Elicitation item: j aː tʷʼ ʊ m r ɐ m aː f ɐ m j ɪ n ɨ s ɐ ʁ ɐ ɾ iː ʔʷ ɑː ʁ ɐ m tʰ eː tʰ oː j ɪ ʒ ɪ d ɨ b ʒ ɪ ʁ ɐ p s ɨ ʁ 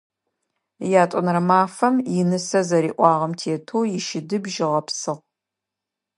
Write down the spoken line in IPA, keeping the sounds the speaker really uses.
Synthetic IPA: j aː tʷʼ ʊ n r ɐ m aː f ɐ m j ɪ n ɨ s ɐ z ɐ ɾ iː ʔʷ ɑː ʁ ɐ m tʰ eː tʰ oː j ɪ ʃ ɪ d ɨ b ʒ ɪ ʁ ɐ p s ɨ ʁ

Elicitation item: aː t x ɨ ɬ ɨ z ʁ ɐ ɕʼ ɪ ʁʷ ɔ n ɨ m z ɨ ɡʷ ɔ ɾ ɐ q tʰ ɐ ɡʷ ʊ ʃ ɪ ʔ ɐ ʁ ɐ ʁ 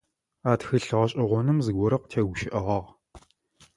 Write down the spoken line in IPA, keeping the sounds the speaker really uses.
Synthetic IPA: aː t x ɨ ɬ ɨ ʁ ɐ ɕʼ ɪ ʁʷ ɔ n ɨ m z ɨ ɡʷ ɔ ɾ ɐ q tʰ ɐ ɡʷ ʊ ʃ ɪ ʔ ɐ ʁ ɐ ʁ

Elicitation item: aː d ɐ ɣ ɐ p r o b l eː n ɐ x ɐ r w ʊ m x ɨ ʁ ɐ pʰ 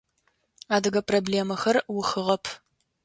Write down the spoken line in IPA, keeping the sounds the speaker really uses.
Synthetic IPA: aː d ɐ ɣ ɐ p r o b l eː m ɐ x ɐ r w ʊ x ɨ ʁ ɐ pʰ

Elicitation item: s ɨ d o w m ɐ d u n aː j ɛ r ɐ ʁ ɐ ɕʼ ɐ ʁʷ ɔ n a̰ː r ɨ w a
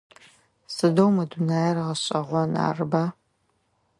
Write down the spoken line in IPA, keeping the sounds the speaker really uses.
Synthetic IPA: s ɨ d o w m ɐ d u n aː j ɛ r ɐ ʁ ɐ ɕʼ ɐ ʁʷ ɔ n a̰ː r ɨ b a

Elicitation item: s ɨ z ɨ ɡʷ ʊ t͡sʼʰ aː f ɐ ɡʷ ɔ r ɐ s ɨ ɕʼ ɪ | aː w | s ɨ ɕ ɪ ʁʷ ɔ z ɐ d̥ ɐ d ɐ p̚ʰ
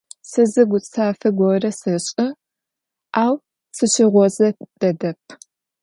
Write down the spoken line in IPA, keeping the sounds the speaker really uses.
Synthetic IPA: s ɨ z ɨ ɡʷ ʊ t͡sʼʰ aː f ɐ ɡʷ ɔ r ɐ s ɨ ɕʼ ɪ | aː w | s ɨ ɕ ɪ ʁʷ ɔ z ɐ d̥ ɐ d ɐ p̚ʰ

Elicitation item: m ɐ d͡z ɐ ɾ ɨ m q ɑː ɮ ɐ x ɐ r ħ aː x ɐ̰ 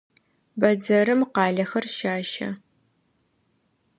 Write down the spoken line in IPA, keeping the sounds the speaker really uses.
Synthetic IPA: b ɐ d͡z ɐ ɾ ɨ m q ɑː ɮ ɐ x ɐ r ʃ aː ʃ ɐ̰

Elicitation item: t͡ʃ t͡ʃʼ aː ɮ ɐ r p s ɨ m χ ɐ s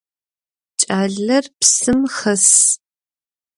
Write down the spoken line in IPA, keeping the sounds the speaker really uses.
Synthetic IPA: t͡ʃ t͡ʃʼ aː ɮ ɐ r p s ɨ m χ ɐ s

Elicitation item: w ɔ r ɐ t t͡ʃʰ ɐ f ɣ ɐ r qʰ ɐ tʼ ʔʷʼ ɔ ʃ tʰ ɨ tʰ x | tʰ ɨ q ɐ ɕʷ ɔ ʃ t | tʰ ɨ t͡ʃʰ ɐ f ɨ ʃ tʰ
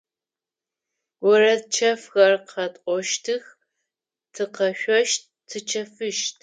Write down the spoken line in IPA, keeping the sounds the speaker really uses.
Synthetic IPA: w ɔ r ɐ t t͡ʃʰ ɐ f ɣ ɐ r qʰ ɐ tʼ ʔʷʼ ɔ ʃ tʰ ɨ x | tʰ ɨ q ɐ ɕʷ ɔ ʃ t | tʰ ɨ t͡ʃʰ ɐ f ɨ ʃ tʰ

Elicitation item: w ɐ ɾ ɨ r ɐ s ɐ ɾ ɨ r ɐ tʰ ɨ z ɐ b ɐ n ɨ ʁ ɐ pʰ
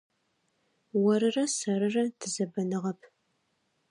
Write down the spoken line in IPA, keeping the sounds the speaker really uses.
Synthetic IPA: w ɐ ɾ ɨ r ɐ s ɐ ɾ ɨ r ɐ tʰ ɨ z ɐ b ɐ n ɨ ʁ ɐ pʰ

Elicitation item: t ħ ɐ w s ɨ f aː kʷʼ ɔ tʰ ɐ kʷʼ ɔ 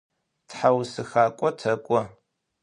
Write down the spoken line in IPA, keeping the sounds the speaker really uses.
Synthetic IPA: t ħ a w s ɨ x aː kʷʼ ɔ tʰ ɐ kʷʼ ɔ

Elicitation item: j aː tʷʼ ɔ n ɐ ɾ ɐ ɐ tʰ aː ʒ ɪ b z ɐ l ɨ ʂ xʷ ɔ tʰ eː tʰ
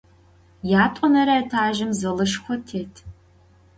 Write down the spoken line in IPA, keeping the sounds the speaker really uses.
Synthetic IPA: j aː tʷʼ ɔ n ɐ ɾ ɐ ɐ tʰ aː ʒ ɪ m z ɐ l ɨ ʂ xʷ ɔ tʰ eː tʰ

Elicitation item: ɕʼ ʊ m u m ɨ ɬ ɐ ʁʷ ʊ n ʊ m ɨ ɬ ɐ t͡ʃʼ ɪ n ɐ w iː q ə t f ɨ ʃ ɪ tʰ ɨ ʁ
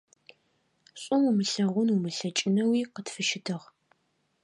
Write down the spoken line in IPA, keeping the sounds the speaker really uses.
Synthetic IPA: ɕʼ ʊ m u m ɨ ɬ ɐ ʁʷ ʊ n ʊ m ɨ ɬ ɐ t͡ʃʼ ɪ n ɐ w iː q ə t f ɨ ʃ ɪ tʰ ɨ ʁ

